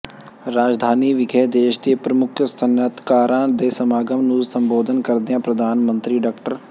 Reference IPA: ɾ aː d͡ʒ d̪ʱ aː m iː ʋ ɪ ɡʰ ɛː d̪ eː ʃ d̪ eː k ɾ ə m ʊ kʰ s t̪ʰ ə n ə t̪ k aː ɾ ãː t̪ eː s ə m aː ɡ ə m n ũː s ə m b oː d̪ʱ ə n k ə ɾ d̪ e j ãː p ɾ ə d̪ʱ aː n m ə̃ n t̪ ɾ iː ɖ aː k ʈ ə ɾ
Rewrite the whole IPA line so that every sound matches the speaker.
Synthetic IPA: ɾ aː d͡ʒ d̪ʱ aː n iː ʋ ɪ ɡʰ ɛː d̪ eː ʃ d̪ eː p ɾ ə m ʊ kʰ s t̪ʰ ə n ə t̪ k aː ɾ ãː d̪ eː s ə m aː ɡ ə m n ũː s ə m b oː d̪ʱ ə n k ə ɾ d̪ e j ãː p ɾ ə d̪ʱ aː n m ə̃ n t̪ ɾ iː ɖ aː k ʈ ə ɾ